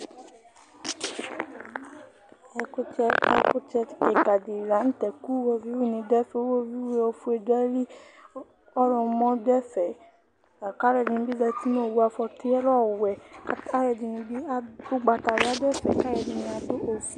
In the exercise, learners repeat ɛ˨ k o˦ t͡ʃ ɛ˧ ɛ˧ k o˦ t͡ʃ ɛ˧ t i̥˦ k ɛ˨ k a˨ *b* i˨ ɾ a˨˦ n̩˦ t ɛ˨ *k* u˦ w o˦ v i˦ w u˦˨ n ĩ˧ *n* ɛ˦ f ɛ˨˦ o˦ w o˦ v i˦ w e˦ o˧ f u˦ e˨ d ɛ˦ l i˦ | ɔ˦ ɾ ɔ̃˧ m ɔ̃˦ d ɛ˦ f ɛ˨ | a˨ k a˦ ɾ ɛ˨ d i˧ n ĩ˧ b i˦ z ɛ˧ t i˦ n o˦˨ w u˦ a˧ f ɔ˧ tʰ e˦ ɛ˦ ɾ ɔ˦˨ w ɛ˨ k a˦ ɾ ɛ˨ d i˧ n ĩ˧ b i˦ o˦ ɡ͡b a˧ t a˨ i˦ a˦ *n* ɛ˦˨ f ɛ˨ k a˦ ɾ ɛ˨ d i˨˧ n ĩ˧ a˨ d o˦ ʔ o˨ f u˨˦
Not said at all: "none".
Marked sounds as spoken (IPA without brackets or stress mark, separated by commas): d, k, d, d